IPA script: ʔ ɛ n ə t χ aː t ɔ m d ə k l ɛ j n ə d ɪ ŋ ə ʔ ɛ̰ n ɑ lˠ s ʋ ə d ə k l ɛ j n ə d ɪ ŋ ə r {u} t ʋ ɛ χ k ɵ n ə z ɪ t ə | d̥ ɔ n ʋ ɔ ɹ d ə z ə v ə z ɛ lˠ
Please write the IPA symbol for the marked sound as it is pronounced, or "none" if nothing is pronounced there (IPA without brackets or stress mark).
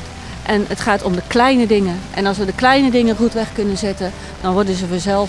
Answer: u